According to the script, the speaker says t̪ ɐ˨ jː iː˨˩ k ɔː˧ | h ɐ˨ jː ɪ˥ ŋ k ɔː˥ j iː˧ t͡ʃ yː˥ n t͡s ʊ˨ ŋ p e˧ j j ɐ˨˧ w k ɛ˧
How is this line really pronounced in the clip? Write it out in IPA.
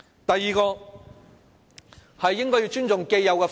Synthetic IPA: t̪ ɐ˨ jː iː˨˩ k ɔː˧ | h ɐ˨ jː ɪ˥ ŋ k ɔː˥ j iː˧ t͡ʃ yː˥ n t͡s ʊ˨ ŋ k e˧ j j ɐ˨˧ w k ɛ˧